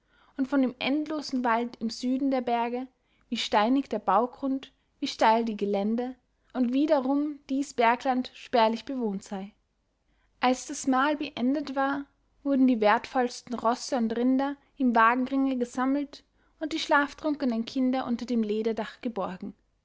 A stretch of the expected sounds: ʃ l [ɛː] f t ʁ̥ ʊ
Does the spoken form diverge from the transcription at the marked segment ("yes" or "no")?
yes